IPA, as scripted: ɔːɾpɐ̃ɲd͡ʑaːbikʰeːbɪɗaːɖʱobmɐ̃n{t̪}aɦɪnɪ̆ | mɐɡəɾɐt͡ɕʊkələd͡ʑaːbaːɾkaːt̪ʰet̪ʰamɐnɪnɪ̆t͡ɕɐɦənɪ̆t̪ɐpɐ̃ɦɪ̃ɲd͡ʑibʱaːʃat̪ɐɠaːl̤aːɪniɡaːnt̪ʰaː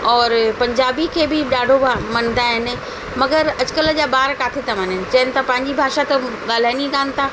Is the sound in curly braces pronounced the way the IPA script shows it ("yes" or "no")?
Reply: no